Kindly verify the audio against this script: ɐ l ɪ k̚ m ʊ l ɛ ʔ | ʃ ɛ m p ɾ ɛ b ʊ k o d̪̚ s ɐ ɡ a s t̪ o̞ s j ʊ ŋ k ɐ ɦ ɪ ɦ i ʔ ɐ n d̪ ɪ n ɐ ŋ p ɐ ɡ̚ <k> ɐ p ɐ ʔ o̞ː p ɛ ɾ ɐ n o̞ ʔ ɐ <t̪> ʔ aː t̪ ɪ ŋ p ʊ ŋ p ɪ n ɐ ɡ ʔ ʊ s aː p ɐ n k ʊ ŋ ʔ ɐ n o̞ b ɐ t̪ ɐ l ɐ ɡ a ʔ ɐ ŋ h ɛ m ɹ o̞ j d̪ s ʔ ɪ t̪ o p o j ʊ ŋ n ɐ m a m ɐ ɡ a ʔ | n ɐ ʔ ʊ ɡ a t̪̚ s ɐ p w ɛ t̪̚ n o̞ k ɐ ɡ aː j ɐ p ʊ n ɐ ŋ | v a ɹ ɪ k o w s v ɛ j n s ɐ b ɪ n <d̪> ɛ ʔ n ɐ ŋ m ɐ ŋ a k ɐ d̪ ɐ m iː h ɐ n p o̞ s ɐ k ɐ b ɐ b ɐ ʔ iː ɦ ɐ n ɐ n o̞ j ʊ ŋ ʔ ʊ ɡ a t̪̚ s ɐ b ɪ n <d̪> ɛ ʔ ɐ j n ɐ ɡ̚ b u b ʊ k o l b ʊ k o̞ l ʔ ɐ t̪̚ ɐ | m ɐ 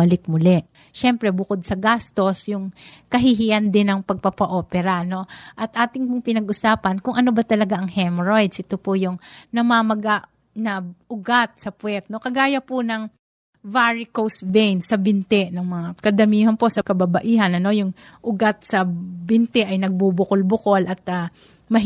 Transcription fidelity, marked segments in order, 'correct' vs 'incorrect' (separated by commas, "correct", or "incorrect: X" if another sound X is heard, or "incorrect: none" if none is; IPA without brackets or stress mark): incorrect: p, correct, incorrect: t̪, incorrect: t̪